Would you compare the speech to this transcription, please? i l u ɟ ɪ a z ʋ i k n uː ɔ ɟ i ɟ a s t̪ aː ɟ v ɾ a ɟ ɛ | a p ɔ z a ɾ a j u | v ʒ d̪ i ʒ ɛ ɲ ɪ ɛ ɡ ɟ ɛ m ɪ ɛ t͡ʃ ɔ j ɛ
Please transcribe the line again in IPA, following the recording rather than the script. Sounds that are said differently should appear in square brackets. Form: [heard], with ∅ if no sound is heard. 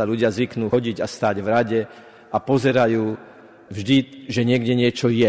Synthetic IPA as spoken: [a] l u ɟ ɪ a z ʋ i k n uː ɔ ɟ i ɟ a s t̪ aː ɟ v ɾ a ɟ ɛ | a p ɔ z [ɛ] ɾ a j [uː] | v ʒ d̪ i ʒ ɛ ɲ ɪ ɛ ɡ ɟ ɛ [ɲ] ɪ ɛ t͡ʃ ɔ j ɛ